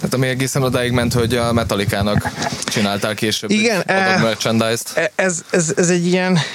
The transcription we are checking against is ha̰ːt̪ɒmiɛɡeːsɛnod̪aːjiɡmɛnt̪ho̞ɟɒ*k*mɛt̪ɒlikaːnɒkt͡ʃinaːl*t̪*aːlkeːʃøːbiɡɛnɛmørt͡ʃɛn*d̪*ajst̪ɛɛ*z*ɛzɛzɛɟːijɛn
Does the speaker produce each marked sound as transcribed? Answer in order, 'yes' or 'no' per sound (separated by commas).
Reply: no, yes, yes, yes